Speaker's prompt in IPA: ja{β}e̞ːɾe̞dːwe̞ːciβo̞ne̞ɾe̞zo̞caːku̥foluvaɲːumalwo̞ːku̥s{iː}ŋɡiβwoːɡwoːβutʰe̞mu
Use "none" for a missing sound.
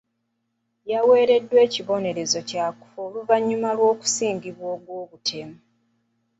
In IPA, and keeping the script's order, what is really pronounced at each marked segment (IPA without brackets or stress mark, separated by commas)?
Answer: w, iː